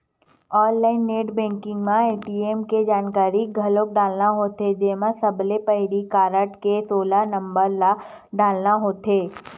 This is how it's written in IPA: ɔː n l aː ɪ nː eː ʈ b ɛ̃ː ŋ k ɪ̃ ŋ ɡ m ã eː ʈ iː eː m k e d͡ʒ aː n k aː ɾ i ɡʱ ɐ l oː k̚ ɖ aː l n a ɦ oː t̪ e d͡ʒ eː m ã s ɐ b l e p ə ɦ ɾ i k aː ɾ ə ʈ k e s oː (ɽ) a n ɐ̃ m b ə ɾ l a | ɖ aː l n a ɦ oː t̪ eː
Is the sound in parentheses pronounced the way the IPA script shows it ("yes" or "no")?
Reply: no